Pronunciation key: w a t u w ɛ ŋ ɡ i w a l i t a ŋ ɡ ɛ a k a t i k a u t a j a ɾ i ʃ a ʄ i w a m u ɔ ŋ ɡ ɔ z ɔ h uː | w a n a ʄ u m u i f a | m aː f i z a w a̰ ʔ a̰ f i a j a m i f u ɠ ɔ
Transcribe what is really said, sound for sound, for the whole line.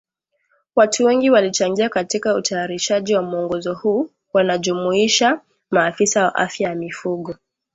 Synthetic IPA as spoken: w a t u w ɛ ŋ ɡ i w a l i t͡ʃ a ŋ ɡ i a k a t i k a u t a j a ɾ i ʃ a ʄ i w a m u ɔ ŋ ɡ ɔ z ɔ h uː | w a n a ʄ u m u i ʃ a | m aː f i s a w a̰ ʔ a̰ f j a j a m i f u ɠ ɔ